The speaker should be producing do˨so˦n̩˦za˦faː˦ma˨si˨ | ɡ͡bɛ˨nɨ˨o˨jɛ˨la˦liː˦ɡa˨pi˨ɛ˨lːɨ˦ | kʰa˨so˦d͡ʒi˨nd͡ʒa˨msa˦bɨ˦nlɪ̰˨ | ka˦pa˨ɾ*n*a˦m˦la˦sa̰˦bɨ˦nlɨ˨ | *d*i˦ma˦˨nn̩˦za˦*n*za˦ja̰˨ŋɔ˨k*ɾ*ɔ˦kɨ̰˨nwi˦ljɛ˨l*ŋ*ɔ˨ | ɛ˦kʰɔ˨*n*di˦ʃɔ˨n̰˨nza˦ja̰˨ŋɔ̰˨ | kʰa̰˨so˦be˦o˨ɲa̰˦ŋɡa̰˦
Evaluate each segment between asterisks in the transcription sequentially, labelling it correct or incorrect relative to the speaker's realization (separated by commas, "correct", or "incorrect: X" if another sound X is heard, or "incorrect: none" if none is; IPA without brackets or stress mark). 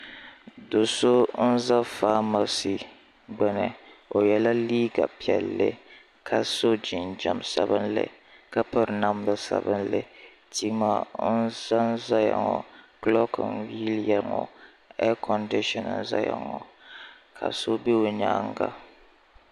correct, incorrect: t, correct, incorrect: l, correct, correct